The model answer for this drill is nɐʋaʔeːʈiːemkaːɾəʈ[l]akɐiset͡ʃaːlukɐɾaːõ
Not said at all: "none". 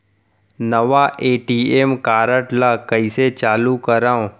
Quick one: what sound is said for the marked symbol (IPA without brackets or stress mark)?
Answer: l